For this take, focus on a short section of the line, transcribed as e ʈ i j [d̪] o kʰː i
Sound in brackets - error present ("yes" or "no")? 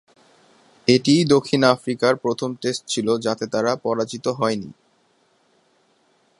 no